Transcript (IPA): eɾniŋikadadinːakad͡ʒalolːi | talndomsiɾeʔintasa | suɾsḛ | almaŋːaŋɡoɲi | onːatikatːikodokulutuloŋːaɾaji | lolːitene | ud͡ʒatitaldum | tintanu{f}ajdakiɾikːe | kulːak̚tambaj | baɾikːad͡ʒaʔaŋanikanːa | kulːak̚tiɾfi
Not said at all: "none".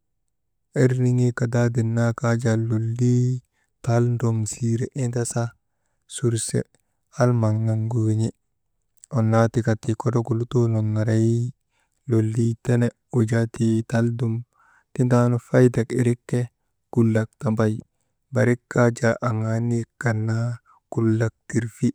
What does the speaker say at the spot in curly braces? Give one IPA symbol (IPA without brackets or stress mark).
f